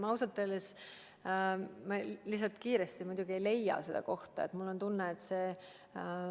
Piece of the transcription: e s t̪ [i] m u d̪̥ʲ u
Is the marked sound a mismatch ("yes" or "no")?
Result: no